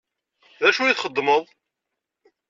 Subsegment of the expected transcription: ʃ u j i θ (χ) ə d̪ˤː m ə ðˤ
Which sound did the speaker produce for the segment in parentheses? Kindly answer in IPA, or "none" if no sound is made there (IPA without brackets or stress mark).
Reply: χ